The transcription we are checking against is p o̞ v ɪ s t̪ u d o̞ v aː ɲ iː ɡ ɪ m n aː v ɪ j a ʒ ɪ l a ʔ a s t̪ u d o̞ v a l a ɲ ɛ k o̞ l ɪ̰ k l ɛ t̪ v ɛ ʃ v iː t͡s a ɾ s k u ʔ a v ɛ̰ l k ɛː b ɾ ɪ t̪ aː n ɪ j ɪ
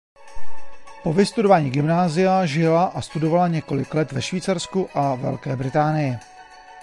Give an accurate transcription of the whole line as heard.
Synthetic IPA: p o̞ v ɪ s t̪ u d o̞ v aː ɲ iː ɡ ɪ m n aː z ɪ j a ʒ ɪ l a ʔ a s t̪ u d o̞ v a l a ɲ ɛ k o̞ l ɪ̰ k l ɛ t̪ v ɛ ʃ v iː t͡s a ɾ s k u ʔ a v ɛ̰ l k ɛː b ɾ ɪ t̪ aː n ɪ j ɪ